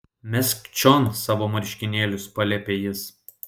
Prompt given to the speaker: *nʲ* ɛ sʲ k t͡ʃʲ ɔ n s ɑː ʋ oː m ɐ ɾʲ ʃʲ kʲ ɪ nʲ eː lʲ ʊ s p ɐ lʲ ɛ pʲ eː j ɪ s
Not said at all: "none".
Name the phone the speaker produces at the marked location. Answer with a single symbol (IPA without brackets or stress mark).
mʲ